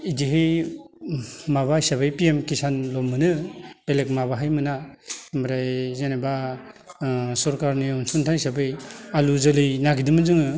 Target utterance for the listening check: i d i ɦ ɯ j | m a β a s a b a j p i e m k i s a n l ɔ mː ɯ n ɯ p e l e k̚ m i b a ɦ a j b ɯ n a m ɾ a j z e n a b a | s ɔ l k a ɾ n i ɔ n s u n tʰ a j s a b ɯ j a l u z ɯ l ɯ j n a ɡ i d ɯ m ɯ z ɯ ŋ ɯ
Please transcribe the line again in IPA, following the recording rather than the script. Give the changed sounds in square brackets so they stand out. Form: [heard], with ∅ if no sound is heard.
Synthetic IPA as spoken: i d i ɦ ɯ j | m a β a s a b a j p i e m k i s a n l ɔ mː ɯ n ɯ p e l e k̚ m [a] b a ɦ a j [m] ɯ n a m ɾ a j z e n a b a | s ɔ [ɾ] k a ɾ n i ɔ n s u n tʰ a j s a b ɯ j a l u z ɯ l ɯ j n a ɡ i d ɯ m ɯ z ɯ ŋ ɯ